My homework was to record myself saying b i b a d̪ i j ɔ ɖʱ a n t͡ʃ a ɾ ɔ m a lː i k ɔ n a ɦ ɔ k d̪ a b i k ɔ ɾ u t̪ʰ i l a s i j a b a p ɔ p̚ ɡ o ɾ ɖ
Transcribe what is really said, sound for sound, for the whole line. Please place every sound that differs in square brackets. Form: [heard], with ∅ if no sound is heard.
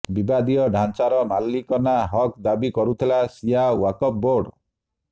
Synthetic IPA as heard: b i b a d̪ i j ɔ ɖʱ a n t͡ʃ a ɾ ɔ m a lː i k ɔ n a ɦ ɔ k d̪ a b i k ɔ ɾ u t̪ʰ i l a s i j a [w] a [k] ɔ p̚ [b] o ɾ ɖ